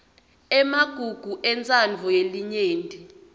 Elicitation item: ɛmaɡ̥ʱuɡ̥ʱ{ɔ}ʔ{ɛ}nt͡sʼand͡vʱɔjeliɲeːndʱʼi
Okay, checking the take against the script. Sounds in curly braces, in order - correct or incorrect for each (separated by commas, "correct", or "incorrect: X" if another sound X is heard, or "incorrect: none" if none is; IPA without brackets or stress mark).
incorrect: u, correct